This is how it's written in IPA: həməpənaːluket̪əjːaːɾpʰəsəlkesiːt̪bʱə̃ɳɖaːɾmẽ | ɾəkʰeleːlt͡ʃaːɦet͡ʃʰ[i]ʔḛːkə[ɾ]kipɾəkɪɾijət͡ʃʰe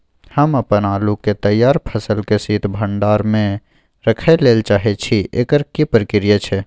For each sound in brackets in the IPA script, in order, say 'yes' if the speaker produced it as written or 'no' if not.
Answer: yes, yes

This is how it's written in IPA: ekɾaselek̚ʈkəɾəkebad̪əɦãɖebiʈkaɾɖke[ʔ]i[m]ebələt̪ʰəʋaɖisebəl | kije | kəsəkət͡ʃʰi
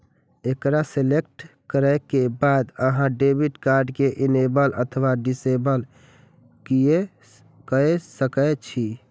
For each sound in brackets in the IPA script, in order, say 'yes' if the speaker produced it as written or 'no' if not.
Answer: yes, no

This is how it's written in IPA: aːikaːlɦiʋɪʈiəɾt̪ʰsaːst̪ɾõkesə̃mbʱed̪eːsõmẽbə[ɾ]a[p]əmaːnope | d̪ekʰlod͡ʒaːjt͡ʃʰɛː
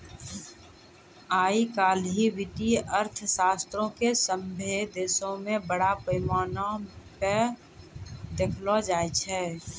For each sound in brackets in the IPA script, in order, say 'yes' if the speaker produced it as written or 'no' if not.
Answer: no, yes

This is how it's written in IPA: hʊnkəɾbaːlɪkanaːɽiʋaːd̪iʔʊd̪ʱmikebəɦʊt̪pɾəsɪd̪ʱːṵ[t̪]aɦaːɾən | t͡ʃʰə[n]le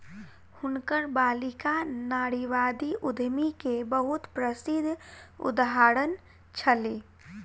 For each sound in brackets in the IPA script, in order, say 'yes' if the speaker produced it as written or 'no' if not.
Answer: no, no

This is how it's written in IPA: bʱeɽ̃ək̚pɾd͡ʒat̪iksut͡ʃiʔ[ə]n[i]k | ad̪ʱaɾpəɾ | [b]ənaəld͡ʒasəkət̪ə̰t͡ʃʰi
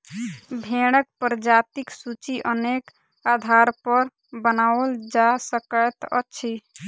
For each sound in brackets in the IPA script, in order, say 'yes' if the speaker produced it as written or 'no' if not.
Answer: yes, no, yes

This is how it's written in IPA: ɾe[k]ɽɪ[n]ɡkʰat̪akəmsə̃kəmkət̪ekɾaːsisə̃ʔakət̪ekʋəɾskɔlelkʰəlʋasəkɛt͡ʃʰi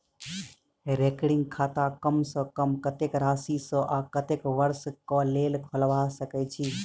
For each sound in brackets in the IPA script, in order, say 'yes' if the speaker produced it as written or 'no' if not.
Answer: yes, no

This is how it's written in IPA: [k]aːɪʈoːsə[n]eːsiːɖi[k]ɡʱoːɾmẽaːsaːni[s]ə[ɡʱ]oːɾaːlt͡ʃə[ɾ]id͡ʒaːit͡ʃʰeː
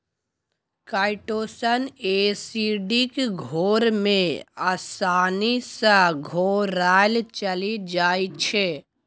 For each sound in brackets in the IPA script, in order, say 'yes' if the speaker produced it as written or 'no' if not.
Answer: yes, yes, yes, yes, yes, no

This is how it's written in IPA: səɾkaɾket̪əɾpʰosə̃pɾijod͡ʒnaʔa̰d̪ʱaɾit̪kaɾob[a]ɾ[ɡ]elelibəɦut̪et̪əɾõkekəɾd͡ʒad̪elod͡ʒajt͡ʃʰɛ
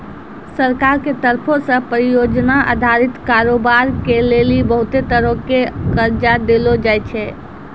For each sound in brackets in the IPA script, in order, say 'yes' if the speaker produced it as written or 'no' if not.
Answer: yes, no

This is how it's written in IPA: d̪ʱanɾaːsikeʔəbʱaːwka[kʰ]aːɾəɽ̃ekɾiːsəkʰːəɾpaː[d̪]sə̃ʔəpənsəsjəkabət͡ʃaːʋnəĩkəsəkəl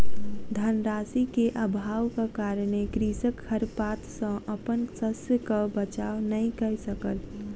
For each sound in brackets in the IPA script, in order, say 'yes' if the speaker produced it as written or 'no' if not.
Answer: no, no

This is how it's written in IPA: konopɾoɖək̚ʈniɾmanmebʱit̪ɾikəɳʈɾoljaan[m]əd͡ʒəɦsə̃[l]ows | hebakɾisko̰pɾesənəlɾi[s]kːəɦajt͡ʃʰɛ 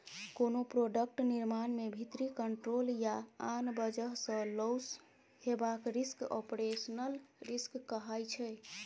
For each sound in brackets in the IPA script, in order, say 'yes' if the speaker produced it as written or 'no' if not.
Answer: no, yes, yes

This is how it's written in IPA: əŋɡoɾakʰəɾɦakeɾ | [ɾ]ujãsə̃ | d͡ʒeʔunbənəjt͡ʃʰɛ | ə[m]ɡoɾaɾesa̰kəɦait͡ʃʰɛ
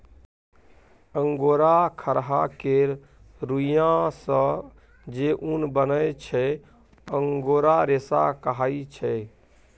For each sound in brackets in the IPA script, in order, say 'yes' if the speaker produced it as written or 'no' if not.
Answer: yes, no

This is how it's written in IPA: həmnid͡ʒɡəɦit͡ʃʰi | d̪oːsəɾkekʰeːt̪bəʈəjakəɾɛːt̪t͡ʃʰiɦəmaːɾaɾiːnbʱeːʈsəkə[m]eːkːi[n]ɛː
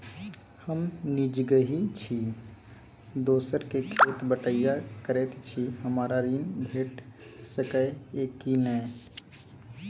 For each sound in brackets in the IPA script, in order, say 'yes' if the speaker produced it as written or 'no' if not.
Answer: no, yes

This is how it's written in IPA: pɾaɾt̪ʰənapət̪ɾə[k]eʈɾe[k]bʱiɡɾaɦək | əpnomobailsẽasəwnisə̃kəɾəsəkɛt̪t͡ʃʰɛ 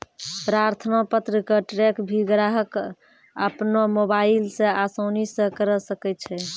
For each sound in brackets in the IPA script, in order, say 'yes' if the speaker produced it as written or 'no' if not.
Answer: yes, yes

